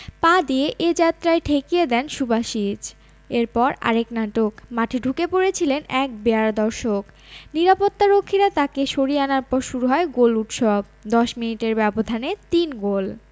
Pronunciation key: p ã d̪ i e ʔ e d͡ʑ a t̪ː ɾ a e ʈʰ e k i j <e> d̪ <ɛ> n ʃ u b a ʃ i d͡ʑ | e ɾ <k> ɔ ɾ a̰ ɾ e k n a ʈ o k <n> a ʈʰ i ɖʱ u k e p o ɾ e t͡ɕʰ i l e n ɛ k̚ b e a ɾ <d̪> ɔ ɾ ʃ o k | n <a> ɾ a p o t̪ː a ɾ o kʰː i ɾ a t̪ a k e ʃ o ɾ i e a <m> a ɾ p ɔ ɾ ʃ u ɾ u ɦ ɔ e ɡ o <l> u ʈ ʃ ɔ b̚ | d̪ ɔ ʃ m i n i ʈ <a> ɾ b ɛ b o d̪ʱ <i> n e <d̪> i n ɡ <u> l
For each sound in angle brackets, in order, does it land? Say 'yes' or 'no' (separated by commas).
yes, yes, no, no, yes, no, no, yes, no, no, no, no